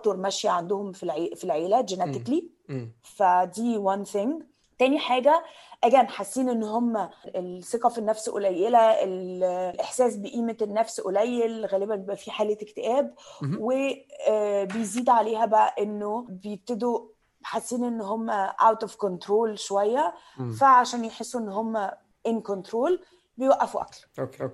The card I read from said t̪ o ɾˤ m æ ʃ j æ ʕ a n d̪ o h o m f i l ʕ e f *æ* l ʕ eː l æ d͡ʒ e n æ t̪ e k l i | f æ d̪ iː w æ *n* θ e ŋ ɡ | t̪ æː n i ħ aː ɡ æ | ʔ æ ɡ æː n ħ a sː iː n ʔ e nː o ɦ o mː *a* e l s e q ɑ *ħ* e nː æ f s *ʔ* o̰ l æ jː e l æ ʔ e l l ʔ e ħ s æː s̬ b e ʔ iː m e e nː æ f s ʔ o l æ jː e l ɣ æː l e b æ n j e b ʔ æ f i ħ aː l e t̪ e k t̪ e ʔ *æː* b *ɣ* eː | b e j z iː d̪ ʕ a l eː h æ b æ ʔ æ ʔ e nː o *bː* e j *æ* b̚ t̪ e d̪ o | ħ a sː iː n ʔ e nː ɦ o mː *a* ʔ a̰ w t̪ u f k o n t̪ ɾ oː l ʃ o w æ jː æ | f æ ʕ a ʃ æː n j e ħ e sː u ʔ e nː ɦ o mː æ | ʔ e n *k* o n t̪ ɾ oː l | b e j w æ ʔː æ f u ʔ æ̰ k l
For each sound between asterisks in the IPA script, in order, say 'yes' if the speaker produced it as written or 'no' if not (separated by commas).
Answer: no, yes, no, no, yes, yes, no, no, no, no, yes